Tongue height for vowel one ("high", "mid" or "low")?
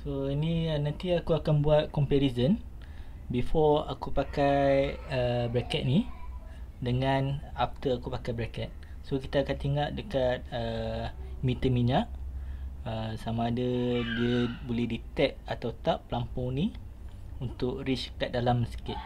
mid